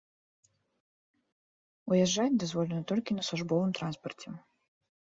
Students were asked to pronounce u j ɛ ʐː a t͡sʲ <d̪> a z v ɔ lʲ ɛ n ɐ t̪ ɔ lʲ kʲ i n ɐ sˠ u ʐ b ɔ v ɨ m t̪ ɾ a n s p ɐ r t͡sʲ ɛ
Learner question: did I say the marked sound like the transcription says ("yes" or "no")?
yes